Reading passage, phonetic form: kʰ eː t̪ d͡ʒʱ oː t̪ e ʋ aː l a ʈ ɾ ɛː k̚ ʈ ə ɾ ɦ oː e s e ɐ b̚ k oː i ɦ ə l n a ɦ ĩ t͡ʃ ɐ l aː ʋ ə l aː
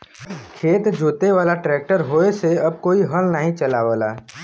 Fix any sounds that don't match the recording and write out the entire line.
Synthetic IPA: kʰ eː t̪ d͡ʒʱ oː t̪ e ʋ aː l a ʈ ɾ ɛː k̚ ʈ ə ɾ ɦ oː e s e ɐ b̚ k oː i ɦ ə l n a ɦ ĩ t͡ʃ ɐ l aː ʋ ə l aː